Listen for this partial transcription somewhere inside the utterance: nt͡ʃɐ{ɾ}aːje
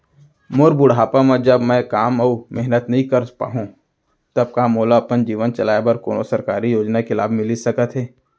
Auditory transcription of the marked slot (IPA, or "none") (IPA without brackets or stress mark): l